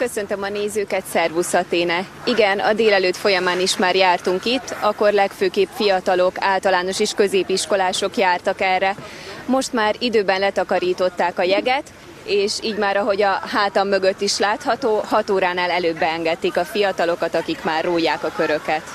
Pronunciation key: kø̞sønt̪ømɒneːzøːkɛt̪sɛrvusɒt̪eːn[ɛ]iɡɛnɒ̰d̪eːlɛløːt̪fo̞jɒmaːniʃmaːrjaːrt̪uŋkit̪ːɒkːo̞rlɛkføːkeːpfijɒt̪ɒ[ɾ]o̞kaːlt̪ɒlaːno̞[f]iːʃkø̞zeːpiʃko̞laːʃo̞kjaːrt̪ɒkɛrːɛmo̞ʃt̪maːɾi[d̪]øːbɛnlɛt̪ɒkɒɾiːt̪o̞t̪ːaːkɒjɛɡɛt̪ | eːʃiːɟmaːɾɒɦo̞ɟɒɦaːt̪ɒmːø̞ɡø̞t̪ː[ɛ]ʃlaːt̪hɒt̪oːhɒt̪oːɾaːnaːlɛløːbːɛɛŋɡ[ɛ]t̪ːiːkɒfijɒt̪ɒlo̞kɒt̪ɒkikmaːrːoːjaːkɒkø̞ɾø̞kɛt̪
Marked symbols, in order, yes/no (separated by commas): yes, no, no, yes, no, yes